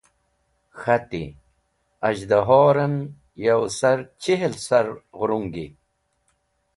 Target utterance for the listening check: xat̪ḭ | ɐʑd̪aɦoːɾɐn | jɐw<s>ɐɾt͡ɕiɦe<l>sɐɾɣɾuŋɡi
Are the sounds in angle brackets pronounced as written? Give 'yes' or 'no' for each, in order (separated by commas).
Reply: yes, yes